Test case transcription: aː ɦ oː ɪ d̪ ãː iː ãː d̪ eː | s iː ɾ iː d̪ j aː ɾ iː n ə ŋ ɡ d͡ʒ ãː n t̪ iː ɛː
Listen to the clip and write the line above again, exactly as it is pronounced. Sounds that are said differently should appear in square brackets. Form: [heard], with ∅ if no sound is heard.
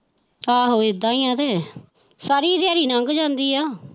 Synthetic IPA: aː ɦ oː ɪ d̪ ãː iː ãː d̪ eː | s [aː] ɾ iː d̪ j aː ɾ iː n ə ŋ ɡ d͡ʒ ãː n [d̪] iː [aː]